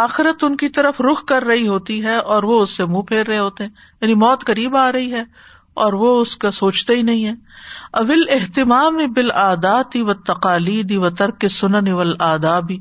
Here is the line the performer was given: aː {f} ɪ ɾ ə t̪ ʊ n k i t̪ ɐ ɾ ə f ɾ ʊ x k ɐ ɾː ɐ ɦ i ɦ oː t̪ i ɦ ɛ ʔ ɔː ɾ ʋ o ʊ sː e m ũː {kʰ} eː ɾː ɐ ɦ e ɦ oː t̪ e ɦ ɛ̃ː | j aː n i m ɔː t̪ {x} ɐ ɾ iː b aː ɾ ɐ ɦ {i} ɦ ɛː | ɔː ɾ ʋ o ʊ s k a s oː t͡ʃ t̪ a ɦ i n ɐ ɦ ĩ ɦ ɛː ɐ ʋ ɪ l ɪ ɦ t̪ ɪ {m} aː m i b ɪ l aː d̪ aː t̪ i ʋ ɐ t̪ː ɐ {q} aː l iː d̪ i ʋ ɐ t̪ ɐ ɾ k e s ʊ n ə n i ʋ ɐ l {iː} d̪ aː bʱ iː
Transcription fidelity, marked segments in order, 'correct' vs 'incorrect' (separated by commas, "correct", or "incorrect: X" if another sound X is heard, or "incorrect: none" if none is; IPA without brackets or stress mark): incorrect: x, incorrect: pʰ, incorrect: k, correct, correct, correct, incorrect: aː